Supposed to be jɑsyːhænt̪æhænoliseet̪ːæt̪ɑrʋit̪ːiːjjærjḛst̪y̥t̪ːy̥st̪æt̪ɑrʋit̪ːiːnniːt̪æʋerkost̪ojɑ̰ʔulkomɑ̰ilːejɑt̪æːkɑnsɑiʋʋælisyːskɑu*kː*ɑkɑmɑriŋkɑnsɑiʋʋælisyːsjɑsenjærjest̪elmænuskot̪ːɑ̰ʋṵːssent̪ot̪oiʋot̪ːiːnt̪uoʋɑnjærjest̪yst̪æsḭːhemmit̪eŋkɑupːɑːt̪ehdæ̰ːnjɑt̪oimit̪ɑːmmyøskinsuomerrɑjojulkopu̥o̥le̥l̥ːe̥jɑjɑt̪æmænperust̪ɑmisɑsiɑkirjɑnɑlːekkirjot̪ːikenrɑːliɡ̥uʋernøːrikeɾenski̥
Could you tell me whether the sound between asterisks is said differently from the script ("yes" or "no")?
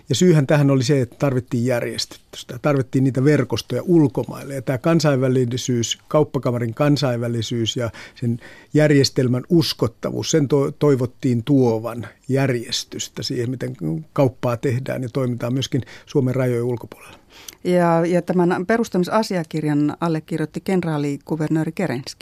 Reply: yes